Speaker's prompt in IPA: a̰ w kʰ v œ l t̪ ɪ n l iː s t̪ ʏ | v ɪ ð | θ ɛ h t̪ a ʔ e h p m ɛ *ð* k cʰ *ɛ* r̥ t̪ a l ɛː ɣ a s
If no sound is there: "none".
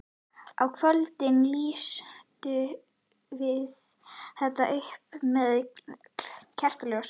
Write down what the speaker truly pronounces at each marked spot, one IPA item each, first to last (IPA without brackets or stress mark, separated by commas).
ð, ɛ